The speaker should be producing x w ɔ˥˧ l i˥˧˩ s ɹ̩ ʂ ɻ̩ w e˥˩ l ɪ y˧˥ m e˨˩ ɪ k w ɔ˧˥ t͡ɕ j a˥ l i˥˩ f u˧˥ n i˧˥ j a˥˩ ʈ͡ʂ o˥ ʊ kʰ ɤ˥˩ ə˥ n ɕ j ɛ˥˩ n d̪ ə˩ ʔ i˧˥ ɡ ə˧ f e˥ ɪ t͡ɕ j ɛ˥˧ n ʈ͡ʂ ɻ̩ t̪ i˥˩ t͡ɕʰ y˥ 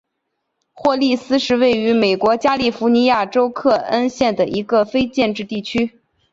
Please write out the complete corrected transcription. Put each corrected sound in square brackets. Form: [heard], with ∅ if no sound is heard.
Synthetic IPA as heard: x w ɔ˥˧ l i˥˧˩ s ɹ̩ ʂ ɻ̩ w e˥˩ [∅] ɪ y˧˥ m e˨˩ ɪ k w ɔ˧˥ t͡ɕ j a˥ l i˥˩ f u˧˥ n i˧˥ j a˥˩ ʈ͡ʂ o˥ ʊ kʰ ɤ˥˩ ə˥ n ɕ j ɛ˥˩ n d̪ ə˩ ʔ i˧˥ ɡ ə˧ f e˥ ɪ t͡ɕ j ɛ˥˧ n ʈ͡ʂ ɻ̩ t̪ i˥˩ t͡ɕʰ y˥